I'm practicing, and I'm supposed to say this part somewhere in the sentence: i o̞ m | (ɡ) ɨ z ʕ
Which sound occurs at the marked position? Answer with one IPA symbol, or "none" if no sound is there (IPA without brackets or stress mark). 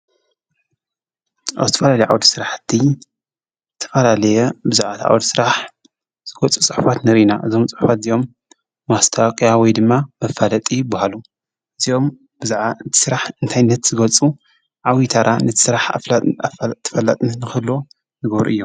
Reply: b